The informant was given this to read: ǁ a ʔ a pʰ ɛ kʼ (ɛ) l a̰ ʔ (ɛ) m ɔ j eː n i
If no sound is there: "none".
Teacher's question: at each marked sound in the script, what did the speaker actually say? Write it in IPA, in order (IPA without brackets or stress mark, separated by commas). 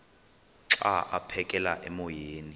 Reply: ɛ, ɛ